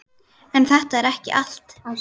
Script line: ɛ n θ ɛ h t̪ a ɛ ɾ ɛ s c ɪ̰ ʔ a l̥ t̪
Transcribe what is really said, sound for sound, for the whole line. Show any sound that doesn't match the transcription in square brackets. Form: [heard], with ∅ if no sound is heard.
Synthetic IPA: ɛ n θ ɛ h t̪ a ɛ ɾ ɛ [h] c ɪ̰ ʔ a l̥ t̪

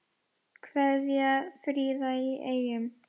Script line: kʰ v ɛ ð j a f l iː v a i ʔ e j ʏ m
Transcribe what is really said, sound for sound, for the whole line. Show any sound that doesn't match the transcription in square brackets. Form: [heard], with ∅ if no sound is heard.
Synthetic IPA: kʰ v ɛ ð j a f [ɾ] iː [ð] a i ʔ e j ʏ m

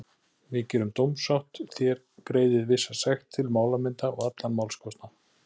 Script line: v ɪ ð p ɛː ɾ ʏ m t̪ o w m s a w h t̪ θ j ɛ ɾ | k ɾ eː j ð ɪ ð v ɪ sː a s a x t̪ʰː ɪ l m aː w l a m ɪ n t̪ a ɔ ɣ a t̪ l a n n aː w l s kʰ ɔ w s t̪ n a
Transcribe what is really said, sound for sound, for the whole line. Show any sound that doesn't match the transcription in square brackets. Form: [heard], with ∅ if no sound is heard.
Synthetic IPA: v ɪ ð [c] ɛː ɾ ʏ m t̪ o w m s a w h t̪ θ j ɛ ɾ | k ɾ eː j ð ɪ ð v ɪ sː a s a x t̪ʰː ɪ l m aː w l a m ɪ n t̪ a ɔ ɣ a t̪ l a n [m] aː w l s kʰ ɔ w s t̪ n a

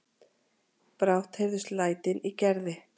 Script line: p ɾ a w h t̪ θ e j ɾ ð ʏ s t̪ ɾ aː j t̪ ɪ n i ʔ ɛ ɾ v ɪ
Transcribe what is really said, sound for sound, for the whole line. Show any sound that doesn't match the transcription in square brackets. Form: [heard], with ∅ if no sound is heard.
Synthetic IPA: p ɾ a w h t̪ [h] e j ɾ ð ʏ s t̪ [l] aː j t̪ ɪ n i [c] ɛ ɾ [ð] ɪ

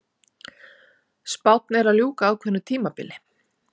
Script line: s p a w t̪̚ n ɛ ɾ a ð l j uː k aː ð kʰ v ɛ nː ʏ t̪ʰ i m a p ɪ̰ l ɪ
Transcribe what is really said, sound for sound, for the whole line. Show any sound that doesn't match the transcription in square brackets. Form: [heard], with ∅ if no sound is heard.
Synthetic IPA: s p a w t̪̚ n ɛ ɾ a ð l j uː k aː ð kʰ v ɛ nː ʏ t̪ʰ [iː] m a p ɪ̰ l ɪ

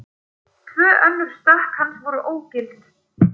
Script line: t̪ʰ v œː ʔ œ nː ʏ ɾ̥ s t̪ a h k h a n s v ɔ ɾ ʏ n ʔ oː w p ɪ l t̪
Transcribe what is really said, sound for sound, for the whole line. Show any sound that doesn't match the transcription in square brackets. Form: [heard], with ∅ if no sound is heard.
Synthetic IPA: t̪ʰ v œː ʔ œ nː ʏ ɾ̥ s t̪ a h k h a n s v ɔ ɾ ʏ [∅] ʔ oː w [c] ɪ l t̪

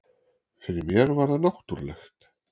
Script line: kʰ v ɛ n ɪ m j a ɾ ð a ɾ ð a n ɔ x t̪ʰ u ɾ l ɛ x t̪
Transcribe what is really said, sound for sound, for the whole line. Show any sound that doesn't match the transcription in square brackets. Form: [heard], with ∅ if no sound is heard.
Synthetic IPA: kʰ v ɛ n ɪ m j [ɛ] ɾ [v] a ɾ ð a n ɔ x [t̪] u ɾ l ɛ x t̪

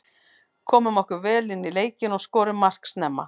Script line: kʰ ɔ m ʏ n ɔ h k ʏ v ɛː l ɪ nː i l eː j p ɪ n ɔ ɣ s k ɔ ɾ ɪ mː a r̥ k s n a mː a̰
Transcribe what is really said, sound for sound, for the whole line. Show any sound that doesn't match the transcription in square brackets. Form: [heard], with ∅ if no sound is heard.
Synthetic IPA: kʰ [ɔː] m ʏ [m] ɔ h k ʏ v ɛː l ɪ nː i l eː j [c] ɪ n ɔ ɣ s k [ɔː] ɾ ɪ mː a r̥ k s n [ɛ] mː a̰

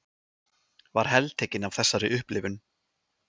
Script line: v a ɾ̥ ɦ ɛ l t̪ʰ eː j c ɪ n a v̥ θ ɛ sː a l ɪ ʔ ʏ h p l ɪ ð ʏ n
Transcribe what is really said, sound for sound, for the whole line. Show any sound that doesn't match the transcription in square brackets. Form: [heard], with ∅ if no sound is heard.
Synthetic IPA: v a ɾ̥ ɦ ɛ l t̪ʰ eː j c ɪ n a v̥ θ ɛ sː a [ɾ] ɪ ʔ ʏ h p l ɪ [v] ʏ n

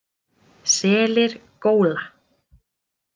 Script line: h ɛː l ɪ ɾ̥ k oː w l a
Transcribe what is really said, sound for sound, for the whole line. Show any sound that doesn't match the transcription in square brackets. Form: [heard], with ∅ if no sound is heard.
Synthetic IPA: [s] ɛː l ɪ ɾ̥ k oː w l a

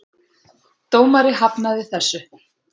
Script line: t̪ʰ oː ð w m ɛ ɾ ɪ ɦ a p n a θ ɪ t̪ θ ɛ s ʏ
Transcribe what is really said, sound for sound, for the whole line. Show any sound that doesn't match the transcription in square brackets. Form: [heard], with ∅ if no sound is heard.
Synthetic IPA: [t̪] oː [∅] w m [a] ɾ ɪ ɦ a p n a [ð] ɪ [∅] θ ɛ [sː] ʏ

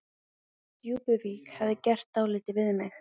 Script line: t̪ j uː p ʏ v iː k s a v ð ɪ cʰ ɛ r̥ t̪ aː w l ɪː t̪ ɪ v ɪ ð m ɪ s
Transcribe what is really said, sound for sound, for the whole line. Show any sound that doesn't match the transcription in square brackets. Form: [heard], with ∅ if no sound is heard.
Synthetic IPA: t̪ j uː p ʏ v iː k [h] a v ð ɪ [c] ɛ r̥ t̪ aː w l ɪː t̪ ɪ v ɪ ð m ɪ [x]

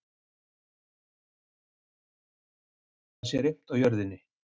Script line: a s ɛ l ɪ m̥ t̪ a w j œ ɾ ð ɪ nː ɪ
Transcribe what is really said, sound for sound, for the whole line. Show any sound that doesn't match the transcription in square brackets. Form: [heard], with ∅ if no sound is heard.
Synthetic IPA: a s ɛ [ɾ] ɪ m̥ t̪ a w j œ ɾ ð ɪ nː ɪ

